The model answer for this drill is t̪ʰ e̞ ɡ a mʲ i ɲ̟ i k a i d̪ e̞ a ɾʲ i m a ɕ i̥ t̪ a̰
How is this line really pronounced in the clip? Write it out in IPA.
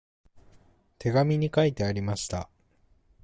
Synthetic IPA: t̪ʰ e̞ ɡ a mʲ i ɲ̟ i k a i t̪ e̞ a ɾʲ i m a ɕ i̥ t̪ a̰

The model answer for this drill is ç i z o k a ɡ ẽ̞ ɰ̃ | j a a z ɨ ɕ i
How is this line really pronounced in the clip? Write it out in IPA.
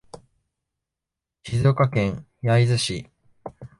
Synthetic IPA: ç i z o k a k ẽ̞ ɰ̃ | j a i z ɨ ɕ i

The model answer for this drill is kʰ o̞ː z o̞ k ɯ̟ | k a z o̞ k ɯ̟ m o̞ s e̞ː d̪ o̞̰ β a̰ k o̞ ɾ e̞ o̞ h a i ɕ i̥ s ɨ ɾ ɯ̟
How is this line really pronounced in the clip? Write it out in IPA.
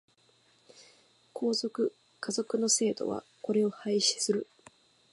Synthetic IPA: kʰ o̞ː z o̞ k ɯ̟ | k a z o̞ k ɯ̟ n o̞ s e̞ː d̪ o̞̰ β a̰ k o̞ ɾ e̞ o̞ h a i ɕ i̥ s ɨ ɾ ɯ̟

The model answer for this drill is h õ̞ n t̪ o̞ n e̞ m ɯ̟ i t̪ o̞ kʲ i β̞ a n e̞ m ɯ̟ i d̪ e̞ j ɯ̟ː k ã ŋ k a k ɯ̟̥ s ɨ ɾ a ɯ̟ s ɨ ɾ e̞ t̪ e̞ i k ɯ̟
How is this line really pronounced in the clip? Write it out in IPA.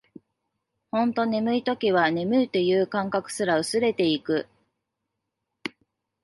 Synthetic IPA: h õ̞ n t̪ o̞ n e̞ m ɯ̟ i t̪ o̞ kʲ i β̞ a n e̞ m ɯ̟ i t̪ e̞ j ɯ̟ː k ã ŋ k a k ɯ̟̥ s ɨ ɾ a ɯ̟ s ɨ ɾ e̞ t̪ e̞ i k ɯ̟

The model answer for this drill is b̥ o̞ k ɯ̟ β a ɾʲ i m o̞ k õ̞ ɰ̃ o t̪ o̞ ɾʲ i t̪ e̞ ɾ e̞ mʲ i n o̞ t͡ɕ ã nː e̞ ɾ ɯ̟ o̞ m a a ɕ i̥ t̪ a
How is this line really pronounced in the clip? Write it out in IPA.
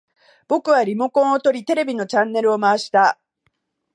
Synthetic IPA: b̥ o̞ k ɯ̟ β a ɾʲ i m o̞ k õ̞ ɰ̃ o t̪ o̞ ɾʲ i t̪ e̞ ɾ e̞ bʲ i n o̞ t͡ɕ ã nː e̞ ɾ ɯ̟ o̞ m a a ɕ i̥ t̪ a

